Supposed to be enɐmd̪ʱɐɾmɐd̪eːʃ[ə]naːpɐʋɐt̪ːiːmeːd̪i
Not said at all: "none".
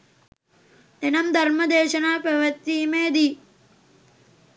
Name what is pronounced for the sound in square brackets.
ɐ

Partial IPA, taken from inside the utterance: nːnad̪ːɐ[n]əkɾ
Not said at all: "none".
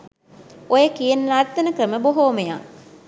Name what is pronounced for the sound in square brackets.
n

